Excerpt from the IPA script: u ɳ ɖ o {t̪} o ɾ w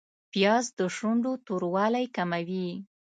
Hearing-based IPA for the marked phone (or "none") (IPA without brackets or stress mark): t̪